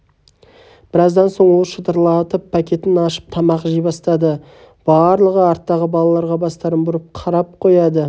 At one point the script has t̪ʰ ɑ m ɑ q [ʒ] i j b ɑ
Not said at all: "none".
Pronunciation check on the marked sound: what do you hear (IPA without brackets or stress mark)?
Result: ʒ